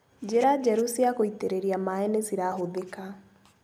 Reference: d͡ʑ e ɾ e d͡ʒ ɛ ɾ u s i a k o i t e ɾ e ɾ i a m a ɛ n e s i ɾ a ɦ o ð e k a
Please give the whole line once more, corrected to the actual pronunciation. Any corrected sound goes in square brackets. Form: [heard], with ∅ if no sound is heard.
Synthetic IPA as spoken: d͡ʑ e ɾ [a] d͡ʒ ɛ ɾ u s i a k o i t e ɾ e ɾ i a m a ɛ n e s i ɾ a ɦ o ð e k a